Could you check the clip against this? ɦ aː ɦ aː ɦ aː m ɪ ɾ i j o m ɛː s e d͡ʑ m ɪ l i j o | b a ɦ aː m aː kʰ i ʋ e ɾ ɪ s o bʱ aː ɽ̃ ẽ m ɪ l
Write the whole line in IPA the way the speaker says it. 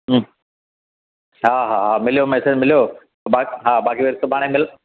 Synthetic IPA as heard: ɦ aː ɦ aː ɦ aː m ɪ l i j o m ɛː s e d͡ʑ m ɪ l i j o | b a ɦ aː b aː k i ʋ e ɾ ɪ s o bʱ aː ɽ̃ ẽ m ɪ l